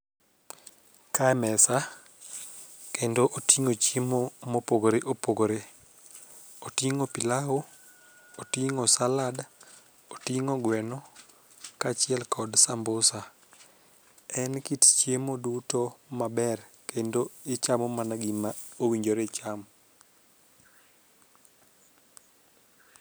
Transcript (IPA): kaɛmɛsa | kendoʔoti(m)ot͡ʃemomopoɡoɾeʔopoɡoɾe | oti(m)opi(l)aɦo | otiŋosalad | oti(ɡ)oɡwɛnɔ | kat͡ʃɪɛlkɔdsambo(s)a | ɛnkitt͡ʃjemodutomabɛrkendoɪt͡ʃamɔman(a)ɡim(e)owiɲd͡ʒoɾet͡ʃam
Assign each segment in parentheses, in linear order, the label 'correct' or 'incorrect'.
incorrect: ŋ, incorrect: ŋ, correct, incorrect: ŋ, correct, correct, incorrect: a

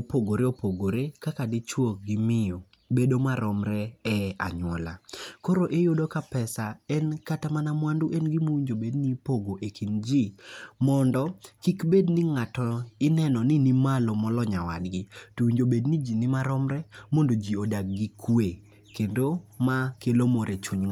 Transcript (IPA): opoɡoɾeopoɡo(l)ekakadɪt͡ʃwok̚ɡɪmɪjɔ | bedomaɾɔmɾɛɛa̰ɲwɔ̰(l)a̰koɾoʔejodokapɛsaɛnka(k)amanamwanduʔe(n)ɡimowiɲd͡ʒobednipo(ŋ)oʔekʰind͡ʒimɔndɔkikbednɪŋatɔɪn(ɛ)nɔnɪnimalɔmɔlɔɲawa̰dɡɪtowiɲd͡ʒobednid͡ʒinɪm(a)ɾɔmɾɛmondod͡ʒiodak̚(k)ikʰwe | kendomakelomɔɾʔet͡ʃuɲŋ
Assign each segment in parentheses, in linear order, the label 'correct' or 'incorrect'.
incorrect: ɾ, correct, incorrect: t, correct, incorrect: ɡ, correct, correct, incorrect: ɡ

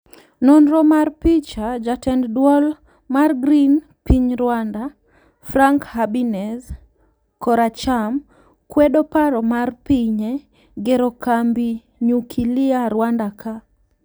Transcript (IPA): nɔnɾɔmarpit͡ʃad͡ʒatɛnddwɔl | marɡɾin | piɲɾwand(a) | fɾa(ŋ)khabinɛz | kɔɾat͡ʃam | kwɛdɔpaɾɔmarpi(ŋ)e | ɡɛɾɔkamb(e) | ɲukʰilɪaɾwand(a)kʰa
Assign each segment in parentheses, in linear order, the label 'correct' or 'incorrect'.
correct, correct, incorrect: ɲ, incorrect: i, correct

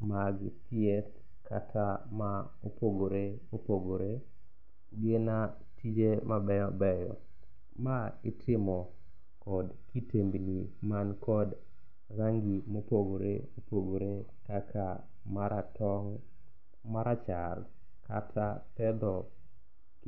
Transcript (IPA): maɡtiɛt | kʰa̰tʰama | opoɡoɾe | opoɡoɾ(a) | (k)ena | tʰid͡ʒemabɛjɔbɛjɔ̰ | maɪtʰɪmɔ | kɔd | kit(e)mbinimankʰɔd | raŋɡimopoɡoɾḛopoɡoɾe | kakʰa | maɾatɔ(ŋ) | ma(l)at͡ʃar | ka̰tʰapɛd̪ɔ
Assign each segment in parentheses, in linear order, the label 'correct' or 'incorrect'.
incorrect: e, incorrect: ɡ, correct, correct, incorrect: ɾ

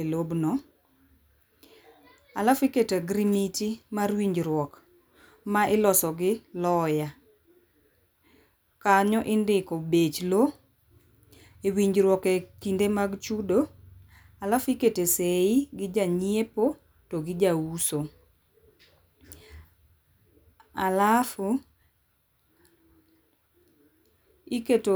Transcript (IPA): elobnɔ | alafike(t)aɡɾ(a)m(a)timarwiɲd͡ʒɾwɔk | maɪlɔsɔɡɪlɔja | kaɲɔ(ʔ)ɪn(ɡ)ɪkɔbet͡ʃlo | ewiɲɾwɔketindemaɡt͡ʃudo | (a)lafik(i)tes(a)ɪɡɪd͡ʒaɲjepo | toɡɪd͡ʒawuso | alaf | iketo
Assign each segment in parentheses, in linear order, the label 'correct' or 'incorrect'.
correct, incorrect: i, incorrect: i, correct, incorrect: d, correct, incorrect: e, incorrect: e

